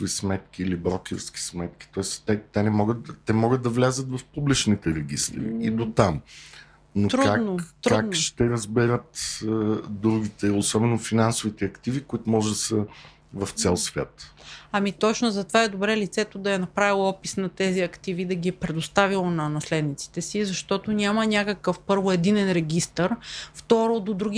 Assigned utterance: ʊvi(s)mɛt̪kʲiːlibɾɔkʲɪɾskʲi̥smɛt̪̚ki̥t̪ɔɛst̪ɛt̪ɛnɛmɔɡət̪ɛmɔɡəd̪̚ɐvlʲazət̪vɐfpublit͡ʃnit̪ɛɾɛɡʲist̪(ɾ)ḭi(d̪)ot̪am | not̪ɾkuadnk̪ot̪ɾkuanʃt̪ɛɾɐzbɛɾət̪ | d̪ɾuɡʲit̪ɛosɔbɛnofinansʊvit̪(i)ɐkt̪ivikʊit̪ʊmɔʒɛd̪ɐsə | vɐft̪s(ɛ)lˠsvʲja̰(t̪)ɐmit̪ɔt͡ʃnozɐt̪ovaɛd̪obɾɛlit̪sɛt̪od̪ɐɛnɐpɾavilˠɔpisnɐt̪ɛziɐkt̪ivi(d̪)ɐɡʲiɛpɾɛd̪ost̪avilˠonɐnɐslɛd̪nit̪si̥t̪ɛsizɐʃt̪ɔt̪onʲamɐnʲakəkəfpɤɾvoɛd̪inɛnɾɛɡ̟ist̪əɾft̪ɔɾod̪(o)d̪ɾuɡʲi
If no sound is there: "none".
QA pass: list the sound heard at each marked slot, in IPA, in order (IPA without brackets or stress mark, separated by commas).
s, ɾ, d̪, ɛ, ɛ, t̪, d̪, o